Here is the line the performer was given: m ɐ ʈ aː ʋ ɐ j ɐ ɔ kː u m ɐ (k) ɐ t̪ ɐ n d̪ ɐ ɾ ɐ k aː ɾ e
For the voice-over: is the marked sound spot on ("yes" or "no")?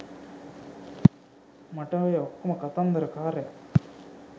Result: yes